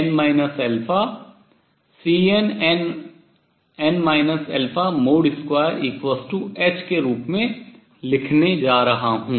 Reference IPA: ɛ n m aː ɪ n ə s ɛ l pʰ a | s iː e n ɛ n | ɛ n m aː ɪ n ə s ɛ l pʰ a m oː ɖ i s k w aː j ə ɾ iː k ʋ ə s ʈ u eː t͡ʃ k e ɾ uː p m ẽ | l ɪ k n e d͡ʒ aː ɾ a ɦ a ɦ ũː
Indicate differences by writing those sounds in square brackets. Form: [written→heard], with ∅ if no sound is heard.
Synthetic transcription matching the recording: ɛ n m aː ɪ n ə s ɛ l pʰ a | s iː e n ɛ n | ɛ n m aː ɪ n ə s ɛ l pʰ a m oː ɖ [i→ɪ] s k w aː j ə ɾ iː k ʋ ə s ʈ u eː t͡ʃ k e ɾ uː p m ẽ | l ɪ [k→kʰ] n e d͡ʒ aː ɾ [a→ɐ] ɦ a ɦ ũː